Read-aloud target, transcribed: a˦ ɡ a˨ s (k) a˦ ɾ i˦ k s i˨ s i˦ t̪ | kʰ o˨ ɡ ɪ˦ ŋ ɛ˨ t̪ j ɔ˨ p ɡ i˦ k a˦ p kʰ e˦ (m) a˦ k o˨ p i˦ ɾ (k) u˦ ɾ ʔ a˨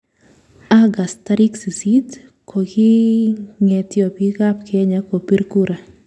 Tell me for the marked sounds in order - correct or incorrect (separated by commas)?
incorrect, incorrect, correct